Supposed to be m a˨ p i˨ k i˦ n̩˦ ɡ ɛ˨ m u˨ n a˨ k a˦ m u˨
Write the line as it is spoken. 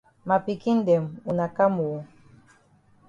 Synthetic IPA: m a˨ p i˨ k i˦ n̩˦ d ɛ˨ m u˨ n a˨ k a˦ m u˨